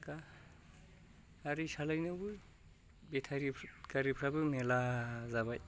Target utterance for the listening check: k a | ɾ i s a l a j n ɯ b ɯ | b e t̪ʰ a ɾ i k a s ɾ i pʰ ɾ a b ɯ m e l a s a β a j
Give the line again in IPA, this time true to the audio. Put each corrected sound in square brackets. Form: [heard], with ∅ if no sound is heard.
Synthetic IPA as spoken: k a | ɾ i s a l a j n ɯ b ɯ | b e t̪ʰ a ɾ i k a [∅] ɾ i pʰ ɾ a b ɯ m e l a [z] a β a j